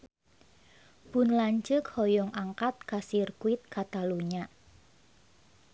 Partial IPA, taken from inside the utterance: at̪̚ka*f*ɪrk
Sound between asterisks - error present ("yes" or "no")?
yes